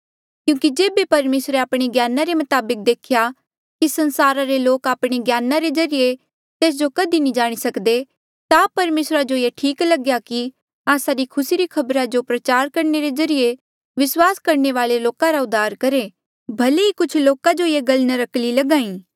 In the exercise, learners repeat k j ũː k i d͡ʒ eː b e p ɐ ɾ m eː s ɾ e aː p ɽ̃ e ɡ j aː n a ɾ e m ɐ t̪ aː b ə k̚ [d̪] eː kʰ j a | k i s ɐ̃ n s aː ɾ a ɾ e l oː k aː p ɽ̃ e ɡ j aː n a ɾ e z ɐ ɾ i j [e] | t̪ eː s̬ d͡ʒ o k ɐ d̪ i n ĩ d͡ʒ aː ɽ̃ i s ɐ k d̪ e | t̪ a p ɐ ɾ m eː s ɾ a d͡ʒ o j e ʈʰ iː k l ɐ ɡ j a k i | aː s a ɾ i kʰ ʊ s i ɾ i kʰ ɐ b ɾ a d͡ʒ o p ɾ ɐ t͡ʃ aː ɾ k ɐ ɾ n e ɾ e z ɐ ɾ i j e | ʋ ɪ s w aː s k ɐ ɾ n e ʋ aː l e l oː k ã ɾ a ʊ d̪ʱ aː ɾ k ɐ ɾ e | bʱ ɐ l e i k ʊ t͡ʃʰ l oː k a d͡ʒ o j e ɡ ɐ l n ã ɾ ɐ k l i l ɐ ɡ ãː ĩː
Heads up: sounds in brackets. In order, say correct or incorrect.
correct, correct

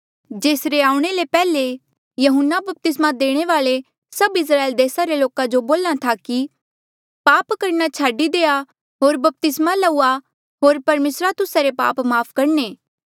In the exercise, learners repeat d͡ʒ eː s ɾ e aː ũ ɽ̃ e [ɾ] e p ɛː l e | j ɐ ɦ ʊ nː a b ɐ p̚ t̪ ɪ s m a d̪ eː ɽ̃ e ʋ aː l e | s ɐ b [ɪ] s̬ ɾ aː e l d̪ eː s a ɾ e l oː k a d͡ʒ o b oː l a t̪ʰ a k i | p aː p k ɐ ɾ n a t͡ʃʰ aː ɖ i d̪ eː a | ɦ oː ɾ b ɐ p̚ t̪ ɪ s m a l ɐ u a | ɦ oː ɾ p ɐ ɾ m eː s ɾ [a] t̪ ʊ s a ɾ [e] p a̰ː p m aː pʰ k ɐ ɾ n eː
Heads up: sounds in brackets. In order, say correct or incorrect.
incorrect: l, correct, correct, correct

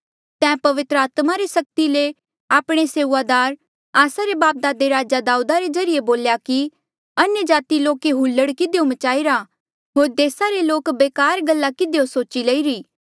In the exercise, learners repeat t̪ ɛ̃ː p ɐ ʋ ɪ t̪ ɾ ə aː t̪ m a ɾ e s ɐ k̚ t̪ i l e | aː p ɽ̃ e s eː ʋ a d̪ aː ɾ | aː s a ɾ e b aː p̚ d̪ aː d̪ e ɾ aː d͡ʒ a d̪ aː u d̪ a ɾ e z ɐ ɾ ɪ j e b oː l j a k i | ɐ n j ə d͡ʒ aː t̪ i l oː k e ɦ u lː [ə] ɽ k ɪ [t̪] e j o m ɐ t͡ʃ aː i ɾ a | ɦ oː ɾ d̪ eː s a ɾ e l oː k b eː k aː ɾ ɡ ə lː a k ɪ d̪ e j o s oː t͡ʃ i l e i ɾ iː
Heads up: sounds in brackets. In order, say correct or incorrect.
correct, incorrect: d̪

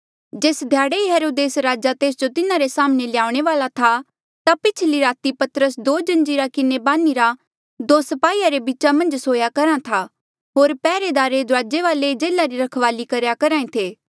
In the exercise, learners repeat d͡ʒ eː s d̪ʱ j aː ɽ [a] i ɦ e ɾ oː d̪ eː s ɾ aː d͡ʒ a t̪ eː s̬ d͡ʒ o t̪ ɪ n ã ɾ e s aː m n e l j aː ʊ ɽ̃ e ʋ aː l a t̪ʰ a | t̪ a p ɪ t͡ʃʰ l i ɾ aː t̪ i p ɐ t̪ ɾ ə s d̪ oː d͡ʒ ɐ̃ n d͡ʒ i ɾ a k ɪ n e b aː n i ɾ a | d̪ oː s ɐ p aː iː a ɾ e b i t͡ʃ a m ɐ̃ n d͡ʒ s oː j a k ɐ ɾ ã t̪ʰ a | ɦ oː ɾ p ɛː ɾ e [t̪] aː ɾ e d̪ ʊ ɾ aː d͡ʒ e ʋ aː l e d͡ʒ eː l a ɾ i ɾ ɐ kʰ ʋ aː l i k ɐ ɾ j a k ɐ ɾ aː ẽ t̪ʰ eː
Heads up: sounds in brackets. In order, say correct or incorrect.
incorrect: e, incorrect: d̪

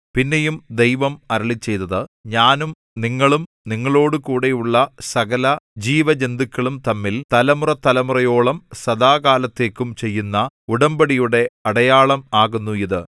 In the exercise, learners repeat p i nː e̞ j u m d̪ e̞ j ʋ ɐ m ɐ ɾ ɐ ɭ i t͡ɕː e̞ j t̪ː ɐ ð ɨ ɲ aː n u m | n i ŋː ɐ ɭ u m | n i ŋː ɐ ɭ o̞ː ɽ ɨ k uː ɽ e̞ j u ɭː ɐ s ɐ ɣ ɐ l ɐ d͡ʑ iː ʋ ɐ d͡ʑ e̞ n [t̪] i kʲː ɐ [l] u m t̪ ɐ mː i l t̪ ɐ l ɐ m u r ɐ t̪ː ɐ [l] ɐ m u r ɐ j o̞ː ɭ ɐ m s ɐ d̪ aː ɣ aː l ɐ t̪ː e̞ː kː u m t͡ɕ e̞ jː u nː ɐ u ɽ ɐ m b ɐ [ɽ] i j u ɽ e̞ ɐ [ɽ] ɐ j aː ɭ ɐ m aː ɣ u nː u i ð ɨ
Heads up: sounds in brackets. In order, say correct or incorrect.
incorrect: d̪, incorrect: ɭ, correct, correct, correct

